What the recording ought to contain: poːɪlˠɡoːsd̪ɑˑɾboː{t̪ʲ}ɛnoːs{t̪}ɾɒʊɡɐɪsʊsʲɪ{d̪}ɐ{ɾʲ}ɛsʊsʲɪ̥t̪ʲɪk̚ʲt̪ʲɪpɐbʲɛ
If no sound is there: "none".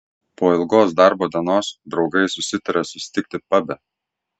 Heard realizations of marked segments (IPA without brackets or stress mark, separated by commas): d̪ʲ, d̪, t̪, ɾʲ